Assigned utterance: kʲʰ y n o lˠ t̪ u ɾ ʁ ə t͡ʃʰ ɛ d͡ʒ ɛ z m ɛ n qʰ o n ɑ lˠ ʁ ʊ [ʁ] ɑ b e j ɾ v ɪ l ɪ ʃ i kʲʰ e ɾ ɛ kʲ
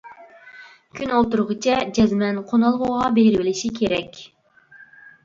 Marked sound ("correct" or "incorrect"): correct